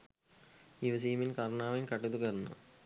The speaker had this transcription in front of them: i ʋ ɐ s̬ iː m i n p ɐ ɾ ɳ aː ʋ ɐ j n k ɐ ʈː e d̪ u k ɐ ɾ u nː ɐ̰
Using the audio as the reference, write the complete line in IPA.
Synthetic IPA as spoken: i ʋ ɐ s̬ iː m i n k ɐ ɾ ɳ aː ʋ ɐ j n k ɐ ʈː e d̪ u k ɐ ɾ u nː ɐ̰